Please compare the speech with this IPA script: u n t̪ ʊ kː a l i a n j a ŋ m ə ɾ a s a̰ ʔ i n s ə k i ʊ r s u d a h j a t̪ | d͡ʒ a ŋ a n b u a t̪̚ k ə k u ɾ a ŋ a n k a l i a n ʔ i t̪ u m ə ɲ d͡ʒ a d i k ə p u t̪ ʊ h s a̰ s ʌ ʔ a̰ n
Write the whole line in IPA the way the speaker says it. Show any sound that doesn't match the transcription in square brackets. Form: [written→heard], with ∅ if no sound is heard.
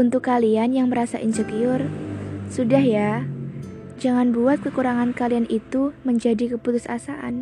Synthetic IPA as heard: u n t̪ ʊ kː a l i a n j a ŋ m ə ɾ a s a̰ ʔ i n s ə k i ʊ r s u d a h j a [t̪→∅] | d͡ʒ a ŋ a n b u a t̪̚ k ə k u ɾ a ŋ a n k a l i a n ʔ i t̪ u m ə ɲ d͡ʒ a d i k ə p u t̪ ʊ [h→∅] s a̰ s [ʌ→a] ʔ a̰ n